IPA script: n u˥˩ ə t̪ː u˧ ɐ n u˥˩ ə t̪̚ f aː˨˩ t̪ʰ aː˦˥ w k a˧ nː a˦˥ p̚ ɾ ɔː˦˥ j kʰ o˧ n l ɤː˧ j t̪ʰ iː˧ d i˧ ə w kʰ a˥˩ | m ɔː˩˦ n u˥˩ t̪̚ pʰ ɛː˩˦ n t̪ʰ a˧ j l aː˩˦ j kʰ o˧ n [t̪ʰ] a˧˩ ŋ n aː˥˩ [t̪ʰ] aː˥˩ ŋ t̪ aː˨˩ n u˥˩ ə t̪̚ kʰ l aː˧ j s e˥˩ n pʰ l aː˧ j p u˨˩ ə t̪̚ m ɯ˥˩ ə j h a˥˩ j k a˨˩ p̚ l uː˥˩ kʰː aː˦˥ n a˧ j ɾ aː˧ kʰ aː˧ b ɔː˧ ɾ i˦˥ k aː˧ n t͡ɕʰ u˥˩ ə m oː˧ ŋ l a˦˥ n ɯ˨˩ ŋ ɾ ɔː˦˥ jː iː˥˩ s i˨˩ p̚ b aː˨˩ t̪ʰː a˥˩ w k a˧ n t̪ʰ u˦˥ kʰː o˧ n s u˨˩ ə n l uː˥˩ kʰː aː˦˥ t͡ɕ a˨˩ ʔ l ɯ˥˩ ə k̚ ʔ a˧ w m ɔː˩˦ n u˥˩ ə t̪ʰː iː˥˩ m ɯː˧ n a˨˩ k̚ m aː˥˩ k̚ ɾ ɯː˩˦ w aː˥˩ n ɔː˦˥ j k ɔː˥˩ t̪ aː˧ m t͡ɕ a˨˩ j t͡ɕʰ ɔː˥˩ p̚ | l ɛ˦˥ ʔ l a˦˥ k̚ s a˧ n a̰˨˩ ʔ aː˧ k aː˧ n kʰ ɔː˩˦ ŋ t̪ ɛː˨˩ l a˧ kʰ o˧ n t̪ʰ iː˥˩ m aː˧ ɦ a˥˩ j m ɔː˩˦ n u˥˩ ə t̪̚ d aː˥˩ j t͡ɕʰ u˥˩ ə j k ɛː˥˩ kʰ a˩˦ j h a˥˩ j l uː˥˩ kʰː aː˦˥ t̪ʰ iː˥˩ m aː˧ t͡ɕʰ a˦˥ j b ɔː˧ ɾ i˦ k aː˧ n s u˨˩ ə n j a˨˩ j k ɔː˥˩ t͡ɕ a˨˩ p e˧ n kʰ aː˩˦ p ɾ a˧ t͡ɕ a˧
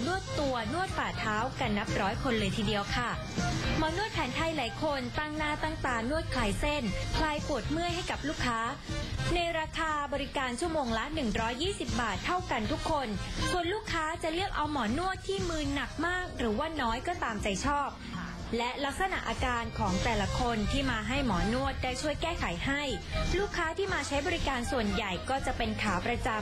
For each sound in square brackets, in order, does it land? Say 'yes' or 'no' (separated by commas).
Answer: no, no